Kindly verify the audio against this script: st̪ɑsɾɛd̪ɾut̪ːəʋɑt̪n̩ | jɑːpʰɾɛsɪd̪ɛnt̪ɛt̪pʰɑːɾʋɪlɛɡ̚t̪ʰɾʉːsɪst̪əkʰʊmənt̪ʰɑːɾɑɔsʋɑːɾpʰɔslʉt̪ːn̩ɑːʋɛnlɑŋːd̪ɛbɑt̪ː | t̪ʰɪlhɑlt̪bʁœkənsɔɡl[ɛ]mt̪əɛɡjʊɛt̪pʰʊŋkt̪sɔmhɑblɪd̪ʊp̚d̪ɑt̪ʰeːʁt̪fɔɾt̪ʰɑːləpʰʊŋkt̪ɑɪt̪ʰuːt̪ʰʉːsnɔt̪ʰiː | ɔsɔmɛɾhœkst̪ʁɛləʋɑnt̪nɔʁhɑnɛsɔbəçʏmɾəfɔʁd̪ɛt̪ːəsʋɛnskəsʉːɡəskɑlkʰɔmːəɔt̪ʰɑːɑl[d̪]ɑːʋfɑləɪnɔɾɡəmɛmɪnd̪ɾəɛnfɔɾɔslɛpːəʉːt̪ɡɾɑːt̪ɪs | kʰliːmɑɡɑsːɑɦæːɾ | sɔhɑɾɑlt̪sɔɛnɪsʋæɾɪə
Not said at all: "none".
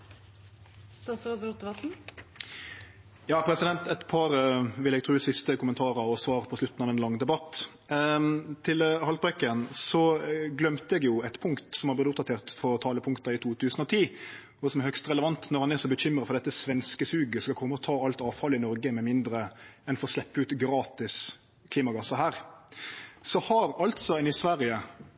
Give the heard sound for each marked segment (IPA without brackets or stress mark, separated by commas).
œ, t̪